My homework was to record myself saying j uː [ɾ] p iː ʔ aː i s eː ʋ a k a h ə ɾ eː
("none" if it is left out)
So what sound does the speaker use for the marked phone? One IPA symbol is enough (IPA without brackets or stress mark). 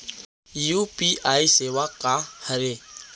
none